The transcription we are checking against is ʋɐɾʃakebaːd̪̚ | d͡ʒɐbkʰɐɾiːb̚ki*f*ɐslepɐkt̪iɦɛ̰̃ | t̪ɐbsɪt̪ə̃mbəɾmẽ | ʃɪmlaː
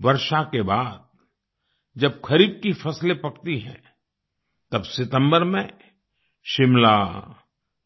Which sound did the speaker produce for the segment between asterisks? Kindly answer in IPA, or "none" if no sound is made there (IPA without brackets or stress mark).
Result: f